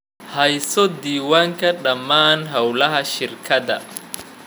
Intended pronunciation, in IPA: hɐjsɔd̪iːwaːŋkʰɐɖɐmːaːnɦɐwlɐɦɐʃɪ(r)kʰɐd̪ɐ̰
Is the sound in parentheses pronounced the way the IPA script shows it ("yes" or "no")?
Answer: yes